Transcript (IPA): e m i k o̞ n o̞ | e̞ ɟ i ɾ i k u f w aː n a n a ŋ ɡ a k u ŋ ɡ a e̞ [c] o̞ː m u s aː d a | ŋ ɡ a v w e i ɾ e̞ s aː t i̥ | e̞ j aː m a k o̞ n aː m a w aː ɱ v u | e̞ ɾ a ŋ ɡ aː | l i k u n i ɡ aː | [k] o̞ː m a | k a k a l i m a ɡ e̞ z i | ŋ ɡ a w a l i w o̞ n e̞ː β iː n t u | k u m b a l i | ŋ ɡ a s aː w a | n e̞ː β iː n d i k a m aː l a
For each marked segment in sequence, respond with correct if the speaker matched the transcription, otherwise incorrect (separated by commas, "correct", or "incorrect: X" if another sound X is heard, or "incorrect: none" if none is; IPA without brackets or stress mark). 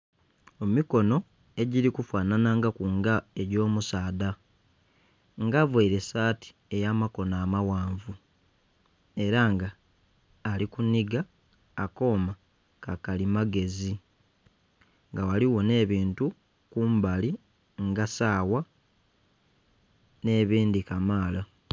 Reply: incorrect: ɟ, correct